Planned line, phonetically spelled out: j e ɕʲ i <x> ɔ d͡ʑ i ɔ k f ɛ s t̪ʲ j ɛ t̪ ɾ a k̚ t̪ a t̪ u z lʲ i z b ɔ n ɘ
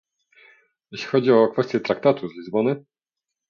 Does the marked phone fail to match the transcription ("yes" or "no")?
no